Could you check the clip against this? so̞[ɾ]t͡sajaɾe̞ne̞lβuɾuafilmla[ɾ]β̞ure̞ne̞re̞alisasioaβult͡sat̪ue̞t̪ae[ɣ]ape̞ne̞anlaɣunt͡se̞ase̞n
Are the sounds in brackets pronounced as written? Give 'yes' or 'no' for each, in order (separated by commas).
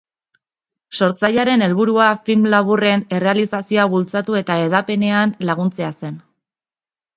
yes, no, no